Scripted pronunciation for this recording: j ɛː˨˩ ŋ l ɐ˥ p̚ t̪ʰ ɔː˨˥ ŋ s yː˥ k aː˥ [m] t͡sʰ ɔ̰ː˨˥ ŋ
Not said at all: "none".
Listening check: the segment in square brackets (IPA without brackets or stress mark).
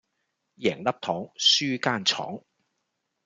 n